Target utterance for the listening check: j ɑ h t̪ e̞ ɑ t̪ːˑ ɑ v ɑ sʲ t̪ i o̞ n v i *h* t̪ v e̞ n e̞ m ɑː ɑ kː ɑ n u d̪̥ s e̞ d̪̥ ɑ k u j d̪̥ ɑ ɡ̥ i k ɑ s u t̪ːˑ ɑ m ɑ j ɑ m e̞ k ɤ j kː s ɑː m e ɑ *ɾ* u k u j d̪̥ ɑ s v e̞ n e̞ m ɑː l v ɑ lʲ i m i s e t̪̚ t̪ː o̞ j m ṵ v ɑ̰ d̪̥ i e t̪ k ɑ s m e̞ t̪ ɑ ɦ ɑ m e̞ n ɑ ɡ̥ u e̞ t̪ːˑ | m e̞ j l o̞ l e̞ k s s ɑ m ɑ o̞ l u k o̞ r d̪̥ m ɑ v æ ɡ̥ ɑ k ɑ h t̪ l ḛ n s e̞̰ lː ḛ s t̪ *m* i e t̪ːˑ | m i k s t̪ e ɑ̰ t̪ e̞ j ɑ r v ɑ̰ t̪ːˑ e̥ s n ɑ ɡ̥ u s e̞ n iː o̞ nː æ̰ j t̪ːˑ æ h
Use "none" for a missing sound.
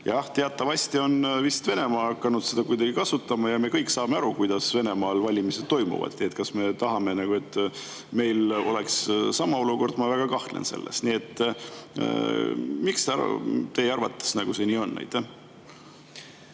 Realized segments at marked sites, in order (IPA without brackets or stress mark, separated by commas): s, ɾ, n